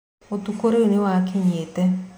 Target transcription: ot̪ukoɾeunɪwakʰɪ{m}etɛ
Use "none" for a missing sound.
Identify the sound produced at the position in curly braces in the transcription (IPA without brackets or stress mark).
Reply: ɲ